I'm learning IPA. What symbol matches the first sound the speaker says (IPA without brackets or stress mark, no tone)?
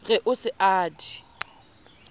ɣ